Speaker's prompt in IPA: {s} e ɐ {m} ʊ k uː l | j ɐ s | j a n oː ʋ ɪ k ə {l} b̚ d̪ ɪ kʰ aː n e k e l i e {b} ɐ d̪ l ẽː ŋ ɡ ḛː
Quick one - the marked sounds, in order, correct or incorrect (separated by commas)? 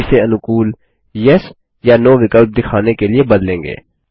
correct, incorrect, correct, correct